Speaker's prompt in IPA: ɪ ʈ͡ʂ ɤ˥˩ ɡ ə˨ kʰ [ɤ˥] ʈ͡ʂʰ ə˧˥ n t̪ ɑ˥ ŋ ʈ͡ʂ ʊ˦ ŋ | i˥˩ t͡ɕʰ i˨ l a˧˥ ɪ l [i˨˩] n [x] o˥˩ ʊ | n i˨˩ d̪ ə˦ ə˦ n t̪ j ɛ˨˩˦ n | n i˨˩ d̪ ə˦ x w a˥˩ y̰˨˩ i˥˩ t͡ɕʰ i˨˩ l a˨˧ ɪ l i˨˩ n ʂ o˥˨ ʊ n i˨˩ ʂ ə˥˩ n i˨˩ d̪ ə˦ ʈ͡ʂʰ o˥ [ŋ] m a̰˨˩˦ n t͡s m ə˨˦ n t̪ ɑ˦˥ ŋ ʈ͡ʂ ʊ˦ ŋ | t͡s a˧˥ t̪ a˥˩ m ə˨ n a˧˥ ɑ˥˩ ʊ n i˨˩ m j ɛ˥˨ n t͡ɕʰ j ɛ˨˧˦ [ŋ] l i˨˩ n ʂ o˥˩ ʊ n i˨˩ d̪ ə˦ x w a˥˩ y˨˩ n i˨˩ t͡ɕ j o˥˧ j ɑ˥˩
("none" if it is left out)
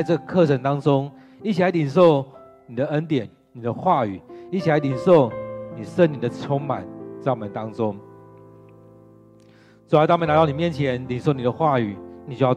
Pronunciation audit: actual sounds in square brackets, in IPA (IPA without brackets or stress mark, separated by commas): ɤ˥˨, i˨˩, ʂ, ŋ, n